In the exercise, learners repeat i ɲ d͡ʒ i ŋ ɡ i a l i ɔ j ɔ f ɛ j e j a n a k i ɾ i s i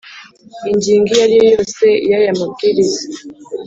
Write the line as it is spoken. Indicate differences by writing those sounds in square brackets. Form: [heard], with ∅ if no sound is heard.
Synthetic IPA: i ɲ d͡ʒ i ŋ ɡ i a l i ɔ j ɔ [s] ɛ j [a] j a [m] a k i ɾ i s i